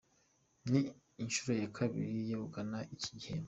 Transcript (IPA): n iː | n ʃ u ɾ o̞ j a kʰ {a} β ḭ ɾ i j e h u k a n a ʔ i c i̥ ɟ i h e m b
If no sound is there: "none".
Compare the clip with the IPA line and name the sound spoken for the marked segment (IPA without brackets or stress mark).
a